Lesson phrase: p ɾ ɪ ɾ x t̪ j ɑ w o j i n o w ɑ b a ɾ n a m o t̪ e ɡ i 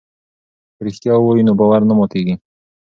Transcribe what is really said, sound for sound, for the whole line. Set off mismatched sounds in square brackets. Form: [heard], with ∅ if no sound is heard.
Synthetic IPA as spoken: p ɾ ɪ [∅] x t̪ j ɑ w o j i n o [b] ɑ [w] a ɾ n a m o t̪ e ɡ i